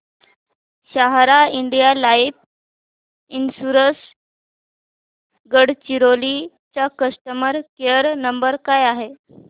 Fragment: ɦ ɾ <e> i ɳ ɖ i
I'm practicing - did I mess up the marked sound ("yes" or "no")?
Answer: yes